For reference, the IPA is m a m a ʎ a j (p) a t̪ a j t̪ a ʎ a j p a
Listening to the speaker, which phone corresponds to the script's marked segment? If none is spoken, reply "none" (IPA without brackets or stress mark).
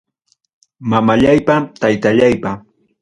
p